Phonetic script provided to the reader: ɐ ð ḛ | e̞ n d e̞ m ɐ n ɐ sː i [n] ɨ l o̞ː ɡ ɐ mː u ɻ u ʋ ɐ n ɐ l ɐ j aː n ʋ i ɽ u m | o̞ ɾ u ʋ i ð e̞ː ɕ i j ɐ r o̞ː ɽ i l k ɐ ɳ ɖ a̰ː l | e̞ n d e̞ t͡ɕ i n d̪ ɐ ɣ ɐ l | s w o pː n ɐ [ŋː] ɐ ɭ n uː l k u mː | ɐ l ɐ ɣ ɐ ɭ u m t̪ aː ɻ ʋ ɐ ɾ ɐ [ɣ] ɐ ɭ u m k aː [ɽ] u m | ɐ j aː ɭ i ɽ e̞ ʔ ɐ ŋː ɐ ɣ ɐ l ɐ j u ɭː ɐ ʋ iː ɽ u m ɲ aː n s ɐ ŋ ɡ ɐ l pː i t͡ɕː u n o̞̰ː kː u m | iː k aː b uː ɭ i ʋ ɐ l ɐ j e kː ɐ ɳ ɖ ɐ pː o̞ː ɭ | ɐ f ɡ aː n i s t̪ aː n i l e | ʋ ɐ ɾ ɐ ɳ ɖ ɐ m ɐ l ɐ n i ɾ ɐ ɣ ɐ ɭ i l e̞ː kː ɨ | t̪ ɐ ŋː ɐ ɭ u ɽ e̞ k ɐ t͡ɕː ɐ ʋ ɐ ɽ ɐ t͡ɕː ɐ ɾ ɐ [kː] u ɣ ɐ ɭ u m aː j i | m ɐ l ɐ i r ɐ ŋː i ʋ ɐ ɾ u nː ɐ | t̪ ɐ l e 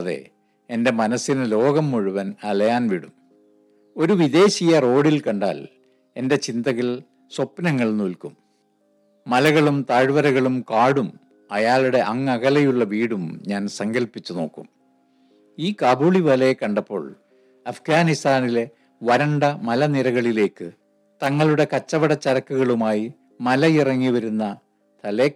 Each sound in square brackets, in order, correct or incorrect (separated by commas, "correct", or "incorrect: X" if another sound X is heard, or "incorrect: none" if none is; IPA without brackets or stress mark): correct, correct, correct, correct, correct